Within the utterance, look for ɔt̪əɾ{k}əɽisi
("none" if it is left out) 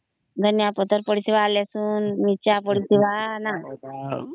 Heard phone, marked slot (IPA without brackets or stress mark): p